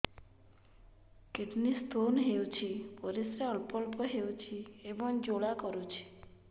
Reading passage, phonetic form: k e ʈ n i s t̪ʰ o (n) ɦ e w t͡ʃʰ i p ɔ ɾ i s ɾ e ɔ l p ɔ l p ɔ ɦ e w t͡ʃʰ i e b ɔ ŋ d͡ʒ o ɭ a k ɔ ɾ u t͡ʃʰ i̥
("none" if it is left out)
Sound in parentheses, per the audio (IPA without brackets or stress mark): n